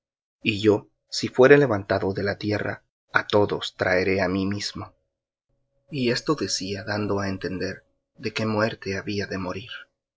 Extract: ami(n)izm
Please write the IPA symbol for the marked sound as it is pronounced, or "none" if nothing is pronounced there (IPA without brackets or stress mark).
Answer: m